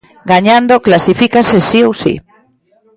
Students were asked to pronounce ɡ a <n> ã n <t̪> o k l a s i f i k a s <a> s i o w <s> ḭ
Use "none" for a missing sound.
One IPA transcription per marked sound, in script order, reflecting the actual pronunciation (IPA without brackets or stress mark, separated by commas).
ɲ, d̪, e, s